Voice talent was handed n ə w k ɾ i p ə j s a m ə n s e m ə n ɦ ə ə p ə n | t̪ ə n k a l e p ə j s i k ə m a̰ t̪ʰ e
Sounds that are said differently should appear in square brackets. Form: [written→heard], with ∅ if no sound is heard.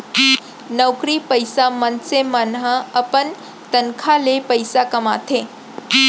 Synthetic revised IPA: n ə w k ɾ i p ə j s a m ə n s e m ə n ɦ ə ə p ə n | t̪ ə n [k→kʰ] a l e p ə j s [i→a] k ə m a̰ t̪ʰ e